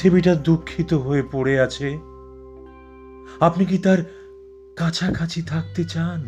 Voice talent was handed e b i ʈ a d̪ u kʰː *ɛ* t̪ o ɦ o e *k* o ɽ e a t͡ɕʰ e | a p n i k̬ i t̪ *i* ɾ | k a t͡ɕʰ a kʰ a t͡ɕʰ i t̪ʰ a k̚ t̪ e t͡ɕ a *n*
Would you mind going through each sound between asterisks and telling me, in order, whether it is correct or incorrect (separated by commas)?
incorrect, incorrect, incorrect, correct